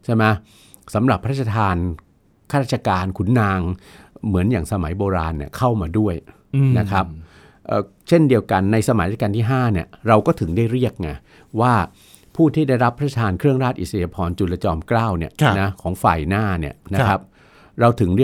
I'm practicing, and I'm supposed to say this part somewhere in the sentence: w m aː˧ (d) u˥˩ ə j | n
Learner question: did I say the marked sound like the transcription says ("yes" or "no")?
yes